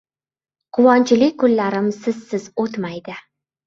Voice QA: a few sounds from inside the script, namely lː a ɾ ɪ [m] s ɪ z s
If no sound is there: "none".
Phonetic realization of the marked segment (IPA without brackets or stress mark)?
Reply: m